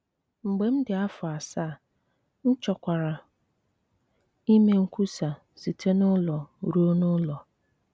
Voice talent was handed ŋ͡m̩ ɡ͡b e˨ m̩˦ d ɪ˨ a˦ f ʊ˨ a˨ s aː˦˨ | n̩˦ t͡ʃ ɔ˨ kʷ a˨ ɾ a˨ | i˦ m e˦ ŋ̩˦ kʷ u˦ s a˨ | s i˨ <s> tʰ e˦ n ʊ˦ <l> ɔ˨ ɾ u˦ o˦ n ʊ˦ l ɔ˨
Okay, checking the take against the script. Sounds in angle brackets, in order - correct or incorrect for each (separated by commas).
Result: incorrect, correct